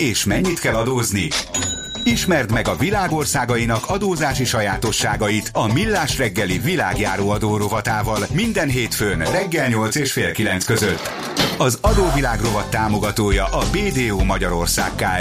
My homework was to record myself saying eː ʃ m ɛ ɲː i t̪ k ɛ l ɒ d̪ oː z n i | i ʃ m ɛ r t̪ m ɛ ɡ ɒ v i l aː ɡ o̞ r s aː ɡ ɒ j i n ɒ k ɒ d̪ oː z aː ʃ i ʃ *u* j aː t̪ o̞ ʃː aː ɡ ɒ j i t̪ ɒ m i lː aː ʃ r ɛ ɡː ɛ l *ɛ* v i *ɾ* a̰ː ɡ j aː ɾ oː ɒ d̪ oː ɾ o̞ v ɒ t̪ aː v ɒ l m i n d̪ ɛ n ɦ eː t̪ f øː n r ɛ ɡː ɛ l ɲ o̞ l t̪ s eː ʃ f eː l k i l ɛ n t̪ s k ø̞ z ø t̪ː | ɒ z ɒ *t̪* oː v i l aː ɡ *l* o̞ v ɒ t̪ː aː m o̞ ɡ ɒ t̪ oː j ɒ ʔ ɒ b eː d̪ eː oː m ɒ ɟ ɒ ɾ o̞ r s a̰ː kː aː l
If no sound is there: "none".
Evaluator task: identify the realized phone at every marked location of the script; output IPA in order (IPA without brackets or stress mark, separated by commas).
ɒ, i, l, d̪, r